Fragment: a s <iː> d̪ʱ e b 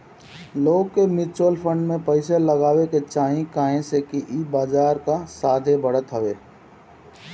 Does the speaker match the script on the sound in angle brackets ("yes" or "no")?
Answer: no